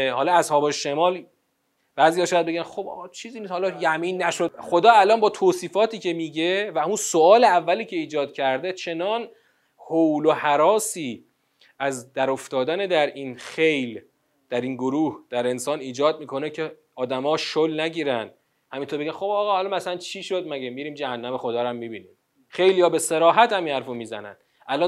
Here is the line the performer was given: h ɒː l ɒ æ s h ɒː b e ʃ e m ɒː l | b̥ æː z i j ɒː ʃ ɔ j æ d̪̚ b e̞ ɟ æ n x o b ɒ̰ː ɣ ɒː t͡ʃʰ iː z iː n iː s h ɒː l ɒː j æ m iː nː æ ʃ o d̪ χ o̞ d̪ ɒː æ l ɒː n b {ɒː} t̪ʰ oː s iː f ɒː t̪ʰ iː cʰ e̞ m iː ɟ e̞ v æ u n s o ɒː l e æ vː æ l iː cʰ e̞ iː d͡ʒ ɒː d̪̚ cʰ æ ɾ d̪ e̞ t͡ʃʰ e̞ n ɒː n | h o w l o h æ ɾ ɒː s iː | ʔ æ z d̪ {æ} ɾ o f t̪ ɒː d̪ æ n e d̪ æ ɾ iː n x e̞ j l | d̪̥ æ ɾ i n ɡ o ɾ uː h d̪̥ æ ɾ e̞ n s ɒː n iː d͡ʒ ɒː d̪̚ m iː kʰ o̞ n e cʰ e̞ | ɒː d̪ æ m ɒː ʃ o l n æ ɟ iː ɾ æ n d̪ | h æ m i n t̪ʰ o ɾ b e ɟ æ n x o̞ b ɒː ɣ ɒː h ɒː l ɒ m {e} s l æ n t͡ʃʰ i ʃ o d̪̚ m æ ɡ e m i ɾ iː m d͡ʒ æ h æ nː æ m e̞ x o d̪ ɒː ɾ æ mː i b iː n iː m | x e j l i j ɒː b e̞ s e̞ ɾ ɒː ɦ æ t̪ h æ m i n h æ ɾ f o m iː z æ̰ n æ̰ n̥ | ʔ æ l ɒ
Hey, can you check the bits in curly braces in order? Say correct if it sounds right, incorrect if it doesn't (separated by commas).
correct, correct, incorrect